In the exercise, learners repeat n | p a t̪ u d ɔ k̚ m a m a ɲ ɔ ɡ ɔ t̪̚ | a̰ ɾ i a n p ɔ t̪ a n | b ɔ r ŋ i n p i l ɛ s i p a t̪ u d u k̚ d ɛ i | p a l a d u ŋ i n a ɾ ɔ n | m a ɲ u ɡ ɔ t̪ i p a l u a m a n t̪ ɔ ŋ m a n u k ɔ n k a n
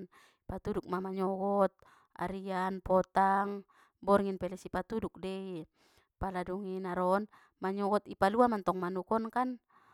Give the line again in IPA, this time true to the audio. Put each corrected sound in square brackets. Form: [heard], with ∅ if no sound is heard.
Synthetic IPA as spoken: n | p a t̪ u d [u] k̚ m a m a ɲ ɔ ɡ ɔ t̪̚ | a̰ ɾ i a n p ɔ t̪ a [ŋ] | b ɔ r ŋ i n p [ɛ] l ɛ s i p a t̪ u d u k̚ d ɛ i | p a l a d u ŋ i n a ɾ ɔ n | m a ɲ [ɔ] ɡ ɔ t̪ i p a l u a m a n t̪ ɔ ŋ m a n u k ɔ n k a n

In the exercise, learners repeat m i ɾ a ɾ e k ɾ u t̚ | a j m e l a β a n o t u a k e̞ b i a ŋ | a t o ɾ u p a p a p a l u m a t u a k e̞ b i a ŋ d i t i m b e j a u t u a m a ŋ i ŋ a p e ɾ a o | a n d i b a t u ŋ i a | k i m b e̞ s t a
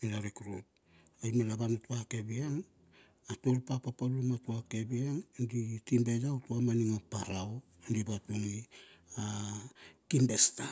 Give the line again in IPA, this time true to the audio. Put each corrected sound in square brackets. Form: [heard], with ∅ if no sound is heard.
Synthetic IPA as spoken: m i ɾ a ɾ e k ɾ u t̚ | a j m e l a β a n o t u a k e̞ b i a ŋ | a t o ɾ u p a p a p a l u m a t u a k e̞ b i a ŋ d i t i m b e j a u t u a m a [n] i ŋ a p [a] ɾ a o | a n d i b a t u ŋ i a | k i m b e̞ s t a

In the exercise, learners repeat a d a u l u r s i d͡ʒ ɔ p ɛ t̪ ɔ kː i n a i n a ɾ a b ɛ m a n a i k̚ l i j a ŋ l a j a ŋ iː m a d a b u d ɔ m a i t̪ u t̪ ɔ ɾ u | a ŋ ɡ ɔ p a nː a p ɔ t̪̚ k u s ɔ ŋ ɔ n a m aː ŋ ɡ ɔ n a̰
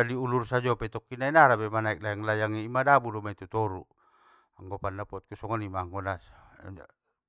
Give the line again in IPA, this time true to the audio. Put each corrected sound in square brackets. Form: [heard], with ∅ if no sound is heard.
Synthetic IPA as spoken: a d [i] u l u r s [a] d͡ʒ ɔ p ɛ t̪ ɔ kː i n a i n a ɾ a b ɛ m a n a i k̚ l [a] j a ŋ l a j a ŋ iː m a d a b u d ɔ m a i t̪ u t̪ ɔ ɾ u | a ŋ ɡ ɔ p a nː a p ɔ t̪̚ k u s ɔ ŋ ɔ n [i] m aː ŋ ɡ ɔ n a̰

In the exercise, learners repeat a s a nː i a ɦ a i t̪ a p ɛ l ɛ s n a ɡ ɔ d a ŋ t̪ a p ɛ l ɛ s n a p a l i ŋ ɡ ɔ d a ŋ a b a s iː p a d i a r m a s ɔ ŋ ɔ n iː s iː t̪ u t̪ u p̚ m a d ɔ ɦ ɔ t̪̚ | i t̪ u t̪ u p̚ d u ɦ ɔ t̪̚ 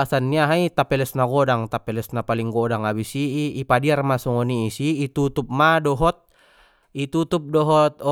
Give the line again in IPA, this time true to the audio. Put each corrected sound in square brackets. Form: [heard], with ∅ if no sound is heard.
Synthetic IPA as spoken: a s a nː i a ɦ a i t̪ a p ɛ l ɛ s n a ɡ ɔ d a ŋ t̪ a p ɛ l ɛ s n a p a l i ŋ ɡ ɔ d a ŋ a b [i] s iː p a d i a r m a s ɔ ŋ ɔ n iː s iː t̪ u t̪ u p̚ m a d ɔ ɦ ɔ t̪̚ | i t̪ u t̪ u p̚ d [ɔ] ɦ ɔ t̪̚

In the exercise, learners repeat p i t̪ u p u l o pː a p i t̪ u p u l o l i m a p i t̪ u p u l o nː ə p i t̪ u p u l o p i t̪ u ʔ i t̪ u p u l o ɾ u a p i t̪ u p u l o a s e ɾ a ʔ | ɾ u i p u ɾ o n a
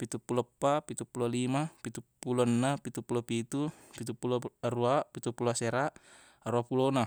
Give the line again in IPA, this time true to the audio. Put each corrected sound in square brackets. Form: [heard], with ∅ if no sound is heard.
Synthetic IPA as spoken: p i t̪ u p u l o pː a p i t̪ u p u l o l i m a p i t̪ u p u l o nː [a] p i t̪ u p u l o p i t̪ u [p] i t̪ u p u l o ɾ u a p i t̪ u p u l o a s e ɾ a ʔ | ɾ u [a] p u [l] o n a

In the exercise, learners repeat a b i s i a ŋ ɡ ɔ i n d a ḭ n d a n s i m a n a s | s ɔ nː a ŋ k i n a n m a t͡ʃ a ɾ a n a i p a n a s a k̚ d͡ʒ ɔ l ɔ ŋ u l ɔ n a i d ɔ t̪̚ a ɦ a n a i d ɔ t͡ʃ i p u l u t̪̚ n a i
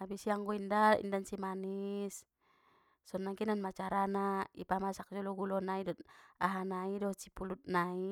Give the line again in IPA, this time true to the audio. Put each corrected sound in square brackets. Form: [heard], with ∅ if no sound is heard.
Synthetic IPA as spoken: a b i s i a ŋ ɡ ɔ i n d a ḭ n d a n s i m a n [i] s | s ɔ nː a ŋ k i n a n m a t͡ʃ a ɾ a n a i p a [m] a s a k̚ d͡ʒ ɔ l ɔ [ɡ] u l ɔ n a i d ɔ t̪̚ a ɦ a n a i d ɔ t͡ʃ i p u l u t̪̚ n a i

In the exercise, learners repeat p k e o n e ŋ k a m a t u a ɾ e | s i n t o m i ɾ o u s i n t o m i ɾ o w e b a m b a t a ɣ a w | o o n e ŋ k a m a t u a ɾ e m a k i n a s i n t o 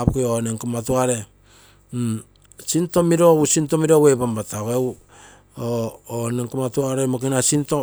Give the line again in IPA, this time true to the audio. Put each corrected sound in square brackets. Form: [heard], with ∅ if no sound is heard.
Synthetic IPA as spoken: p k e o n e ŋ k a m a t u a ɾ e | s i n t o m i ɾ o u s i n t o m i ɾ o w e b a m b a t a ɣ [e] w | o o n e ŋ k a m a t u a ɾ e m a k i n a s i n t o

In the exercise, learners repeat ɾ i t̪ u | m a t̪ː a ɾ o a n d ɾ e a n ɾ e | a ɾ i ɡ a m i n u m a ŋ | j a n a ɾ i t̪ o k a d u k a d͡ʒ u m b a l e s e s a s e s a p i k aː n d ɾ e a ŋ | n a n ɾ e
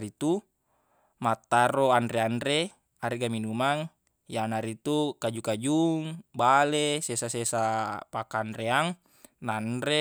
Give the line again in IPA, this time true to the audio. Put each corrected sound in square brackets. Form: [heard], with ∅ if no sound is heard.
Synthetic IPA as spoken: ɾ i t̪ u | m a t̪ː a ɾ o a n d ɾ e a n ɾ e | a ɾ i ɡ a m i n u m a ŋ | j a n a ɾ i t̪ [u] k a [d͡ʒ] u k a d͡ʒ u [ŋ] b a l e s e s a s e s a p [a] k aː n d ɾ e a ŋ | n a n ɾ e

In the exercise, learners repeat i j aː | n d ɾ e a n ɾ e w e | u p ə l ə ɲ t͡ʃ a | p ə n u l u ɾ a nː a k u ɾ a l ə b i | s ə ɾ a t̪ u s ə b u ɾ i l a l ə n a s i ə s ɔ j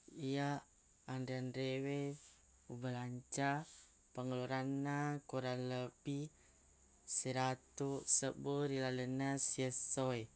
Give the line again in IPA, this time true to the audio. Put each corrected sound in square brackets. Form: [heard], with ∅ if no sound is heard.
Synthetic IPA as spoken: i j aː | n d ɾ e a n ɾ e w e | u [b] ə l [a] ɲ t͡ʃ a | p ə [ŋ] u l u ɾ a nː a k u ɾ a l ə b i | s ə ɾ a t̪ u s ə b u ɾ i l a l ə n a s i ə s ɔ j

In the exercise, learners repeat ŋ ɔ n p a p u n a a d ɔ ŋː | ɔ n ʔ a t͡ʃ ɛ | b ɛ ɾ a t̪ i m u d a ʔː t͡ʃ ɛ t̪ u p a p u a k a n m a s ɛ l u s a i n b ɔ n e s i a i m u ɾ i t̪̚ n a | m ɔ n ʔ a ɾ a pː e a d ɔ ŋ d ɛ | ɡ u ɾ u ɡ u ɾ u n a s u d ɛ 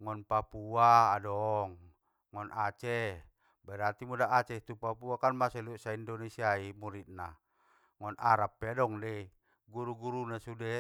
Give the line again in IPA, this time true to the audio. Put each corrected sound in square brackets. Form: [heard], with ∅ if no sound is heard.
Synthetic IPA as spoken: ŋ ɔ n p a p u [∅] a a d ɔ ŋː | ɔ n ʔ a t͡ʃ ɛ | b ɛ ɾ a t̪ i m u d a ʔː t͡ʃ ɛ t̪ u p a p u a k a n m a s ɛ l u s a i n [d] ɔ n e s i a i m u ɾ i t̪̚ n a | [ŋ] ɔ n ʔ a ɾ a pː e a d ɔ ŋ d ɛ | ɡ u ɾ u ɡ u ɾ u n a s u d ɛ

